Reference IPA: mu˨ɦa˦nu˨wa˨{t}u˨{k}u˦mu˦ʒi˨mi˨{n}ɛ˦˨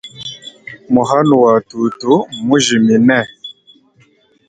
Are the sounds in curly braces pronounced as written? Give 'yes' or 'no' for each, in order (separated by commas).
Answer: yes, no, yes